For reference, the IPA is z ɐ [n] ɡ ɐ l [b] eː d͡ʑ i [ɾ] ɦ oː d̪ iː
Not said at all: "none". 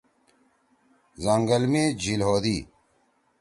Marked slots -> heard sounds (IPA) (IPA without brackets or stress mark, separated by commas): ŋ, m, l